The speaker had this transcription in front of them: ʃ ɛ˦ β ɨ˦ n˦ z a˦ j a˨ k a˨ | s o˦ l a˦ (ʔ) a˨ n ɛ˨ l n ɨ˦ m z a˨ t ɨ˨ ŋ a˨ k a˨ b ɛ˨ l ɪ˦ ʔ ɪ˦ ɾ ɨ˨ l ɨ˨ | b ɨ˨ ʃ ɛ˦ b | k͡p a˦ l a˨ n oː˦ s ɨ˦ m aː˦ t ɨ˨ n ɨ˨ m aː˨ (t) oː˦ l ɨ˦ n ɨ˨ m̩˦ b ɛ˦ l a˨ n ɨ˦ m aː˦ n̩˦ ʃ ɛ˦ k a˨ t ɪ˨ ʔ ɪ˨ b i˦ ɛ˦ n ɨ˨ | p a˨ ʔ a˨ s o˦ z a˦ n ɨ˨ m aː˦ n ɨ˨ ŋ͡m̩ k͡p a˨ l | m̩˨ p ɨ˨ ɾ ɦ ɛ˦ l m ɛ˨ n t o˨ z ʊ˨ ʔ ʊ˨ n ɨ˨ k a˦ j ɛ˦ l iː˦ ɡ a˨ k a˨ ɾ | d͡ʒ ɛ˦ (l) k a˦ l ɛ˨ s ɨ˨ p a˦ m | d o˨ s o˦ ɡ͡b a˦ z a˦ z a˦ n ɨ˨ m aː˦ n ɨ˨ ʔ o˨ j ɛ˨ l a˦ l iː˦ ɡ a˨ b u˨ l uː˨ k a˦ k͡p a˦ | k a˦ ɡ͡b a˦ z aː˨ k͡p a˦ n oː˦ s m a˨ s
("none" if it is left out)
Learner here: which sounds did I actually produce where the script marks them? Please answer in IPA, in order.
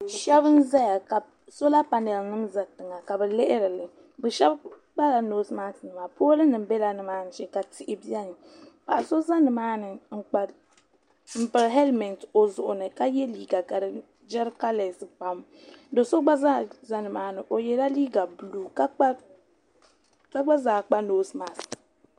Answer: p, p, ɾ

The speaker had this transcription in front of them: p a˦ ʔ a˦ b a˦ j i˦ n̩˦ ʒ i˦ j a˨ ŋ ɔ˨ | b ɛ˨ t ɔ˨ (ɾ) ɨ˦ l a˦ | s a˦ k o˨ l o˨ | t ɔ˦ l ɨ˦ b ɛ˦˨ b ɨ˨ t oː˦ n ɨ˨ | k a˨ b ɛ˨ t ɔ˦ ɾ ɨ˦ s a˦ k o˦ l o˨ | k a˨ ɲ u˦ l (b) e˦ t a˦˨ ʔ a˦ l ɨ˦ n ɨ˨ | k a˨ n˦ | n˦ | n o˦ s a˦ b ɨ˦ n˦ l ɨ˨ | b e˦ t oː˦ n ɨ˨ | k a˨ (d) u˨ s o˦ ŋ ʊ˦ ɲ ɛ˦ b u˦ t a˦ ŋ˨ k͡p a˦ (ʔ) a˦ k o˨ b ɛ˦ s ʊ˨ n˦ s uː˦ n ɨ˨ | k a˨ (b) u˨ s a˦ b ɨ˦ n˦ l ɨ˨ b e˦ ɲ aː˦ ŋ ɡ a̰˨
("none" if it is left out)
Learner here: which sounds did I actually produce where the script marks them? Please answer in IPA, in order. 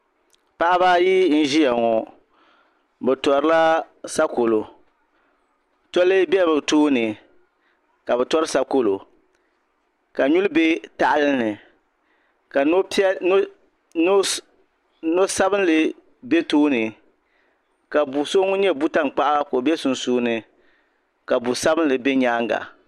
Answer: ɾ, b, b, ʔ, b

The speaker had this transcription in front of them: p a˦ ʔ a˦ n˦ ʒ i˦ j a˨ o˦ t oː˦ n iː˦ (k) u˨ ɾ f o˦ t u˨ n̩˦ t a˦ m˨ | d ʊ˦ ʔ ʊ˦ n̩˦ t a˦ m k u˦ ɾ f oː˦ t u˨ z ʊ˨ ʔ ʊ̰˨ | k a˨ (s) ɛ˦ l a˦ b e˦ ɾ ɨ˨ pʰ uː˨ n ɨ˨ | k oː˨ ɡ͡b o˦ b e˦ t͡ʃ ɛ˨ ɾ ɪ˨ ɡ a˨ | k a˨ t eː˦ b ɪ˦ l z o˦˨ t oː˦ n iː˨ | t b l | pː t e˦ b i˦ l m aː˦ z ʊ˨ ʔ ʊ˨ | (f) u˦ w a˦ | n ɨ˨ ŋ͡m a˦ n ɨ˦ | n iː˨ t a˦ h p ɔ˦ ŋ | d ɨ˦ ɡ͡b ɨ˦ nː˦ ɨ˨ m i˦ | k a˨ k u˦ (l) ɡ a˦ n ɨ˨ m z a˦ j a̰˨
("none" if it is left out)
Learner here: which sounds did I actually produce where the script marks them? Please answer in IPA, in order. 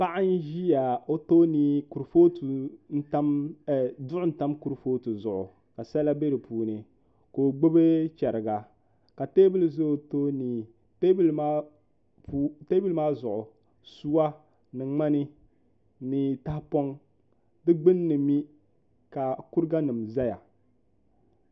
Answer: k, s, s, ɾ

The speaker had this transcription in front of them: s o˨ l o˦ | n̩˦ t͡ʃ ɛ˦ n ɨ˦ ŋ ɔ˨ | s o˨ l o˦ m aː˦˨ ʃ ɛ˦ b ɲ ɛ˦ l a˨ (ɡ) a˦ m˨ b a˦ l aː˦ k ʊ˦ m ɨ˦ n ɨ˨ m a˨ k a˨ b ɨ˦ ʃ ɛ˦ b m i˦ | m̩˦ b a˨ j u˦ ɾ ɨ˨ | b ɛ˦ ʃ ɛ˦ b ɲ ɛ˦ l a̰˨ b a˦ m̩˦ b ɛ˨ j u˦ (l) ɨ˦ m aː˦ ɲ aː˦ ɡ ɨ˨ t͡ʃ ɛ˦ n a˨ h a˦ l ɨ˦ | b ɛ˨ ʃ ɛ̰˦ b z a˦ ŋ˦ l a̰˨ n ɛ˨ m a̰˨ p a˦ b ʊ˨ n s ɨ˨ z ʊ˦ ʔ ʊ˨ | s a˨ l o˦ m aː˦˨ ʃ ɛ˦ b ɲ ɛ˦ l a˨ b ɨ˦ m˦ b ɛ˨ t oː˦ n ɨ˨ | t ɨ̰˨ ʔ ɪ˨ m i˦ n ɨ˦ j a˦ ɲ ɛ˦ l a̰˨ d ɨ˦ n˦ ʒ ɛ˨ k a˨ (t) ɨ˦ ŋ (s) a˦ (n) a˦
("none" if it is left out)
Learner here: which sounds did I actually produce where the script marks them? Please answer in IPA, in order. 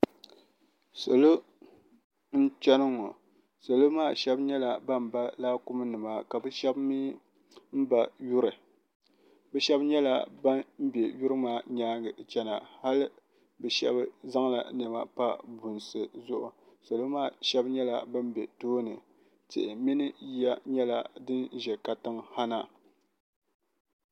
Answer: b, ɾ, t, h, n

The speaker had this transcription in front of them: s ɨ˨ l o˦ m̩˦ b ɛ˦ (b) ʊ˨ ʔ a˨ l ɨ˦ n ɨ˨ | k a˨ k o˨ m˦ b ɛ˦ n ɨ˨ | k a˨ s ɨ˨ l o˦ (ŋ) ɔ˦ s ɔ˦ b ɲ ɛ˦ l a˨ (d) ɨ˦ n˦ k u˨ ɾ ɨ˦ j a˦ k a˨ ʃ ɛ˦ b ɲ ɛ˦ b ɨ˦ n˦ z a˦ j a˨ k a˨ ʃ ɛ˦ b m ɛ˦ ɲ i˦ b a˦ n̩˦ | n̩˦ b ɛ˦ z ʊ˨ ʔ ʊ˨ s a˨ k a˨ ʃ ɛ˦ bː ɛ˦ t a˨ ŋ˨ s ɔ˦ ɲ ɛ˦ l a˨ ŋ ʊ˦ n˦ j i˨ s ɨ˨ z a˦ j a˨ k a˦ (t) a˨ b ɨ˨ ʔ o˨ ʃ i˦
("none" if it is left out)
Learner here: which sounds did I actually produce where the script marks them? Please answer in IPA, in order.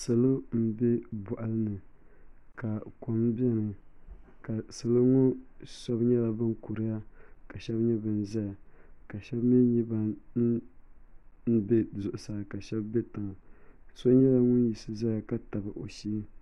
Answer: b, ŋ, b, t

